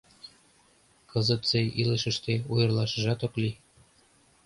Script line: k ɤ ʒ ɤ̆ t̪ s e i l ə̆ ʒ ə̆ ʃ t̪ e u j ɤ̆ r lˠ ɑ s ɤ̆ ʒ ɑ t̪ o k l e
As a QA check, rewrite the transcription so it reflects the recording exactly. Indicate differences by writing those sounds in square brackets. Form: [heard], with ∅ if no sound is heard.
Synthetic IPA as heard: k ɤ [z] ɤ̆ t̪ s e i l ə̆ [ʃ] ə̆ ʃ t̪ e u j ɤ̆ r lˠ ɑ [ʃ] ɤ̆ ʒ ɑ t̪ o k l [i]